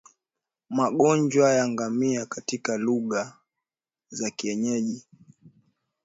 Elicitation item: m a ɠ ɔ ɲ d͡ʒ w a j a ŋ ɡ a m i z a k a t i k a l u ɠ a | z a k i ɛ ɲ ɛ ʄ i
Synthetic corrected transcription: m a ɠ ɔ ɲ d͡ʒ w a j a ŋ ɡ a m i a k a t i k a l u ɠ a | z a k i ɛ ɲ ɛ ʄ i